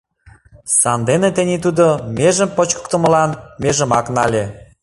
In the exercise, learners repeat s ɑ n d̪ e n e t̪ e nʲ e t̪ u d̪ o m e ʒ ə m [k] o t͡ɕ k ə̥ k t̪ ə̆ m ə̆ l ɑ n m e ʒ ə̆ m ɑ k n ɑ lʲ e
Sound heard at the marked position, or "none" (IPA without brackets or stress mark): p